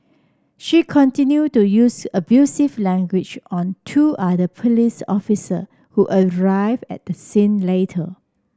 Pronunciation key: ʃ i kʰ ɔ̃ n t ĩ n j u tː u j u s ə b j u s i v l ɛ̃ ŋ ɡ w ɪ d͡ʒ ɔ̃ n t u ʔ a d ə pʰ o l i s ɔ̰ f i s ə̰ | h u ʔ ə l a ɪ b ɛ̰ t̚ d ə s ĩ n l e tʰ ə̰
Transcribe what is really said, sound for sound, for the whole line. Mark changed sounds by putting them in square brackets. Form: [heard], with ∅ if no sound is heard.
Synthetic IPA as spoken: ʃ i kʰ ɔ̃ n t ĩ n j u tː u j u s ə b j u s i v l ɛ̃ ŋ ɡ w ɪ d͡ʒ ɔ̃ n [tʰ] u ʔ a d ə pʰ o l i s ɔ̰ f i s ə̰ | h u ʔ ə [ɹ] a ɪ [v] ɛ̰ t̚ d ə s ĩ n l e tʰ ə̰